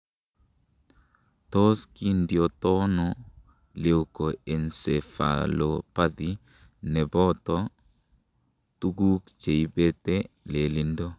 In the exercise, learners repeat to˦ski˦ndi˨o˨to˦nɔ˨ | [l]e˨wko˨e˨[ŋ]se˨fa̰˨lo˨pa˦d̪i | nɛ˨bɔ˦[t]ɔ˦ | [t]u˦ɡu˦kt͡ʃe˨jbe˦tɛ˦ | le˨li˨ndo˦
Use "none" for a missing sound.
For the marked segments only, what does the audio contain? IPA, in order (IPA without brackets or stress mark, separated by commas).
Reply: l, n, t, t